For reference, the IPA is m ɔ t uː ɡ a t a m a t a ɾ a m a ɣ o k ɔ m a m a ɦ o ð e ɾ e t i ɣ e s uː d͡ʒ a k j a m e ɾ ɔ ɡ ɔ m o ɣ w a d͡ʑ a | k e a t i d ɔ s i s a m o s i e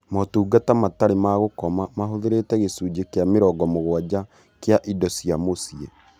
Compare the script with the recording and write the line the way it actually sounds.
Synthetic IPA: m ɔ t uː ɡ a t a m a t a ɾ e m a ɣ o k ɔ m a m a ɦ o ð e ɾ e t ɛ ɣ e s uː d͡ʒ e k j a m e ɾ ɔ ɡ ɔ m o ɣ w a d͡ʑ a | k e a ʔ i d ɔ s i a m o s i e